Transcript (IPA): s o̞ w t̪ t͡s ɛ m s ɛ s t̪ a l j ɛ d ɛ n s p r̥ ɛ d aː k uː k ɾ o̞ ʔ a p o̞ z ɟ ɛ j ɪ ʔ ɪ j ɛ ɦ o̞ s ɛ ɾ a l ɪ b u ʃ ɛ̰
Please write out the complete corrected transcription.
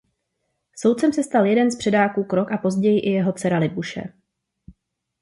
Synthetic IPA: s o̞ w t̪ t͡s ɛ m s ɛ s t̪ a l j ɛ d ɛ n s p r̥ ɛ d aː k uː k ɾ o̞ k a p o̞ z ɟ ɛ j ɪ ʔ ɪ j ɛ ɦ o̞ t͡s ɛ ɾ a l ɪ b u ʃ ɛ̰